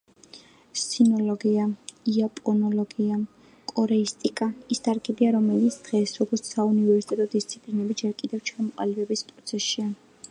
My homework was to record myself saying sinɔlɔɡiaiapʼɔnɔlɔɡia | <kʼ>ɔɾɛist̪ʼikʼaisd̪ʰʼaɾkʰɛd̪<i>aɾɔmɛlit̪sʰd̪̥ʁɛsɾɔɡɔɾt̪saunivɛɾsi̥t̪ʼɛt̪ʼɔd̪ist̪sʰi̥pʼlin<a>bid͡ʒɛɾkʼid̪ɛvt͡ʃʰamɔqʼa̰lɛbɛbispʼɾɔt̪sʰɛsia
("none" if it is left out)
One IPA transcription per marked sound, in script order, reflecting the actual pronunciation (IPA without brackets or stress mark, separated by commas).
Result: kʼ, i, ɛ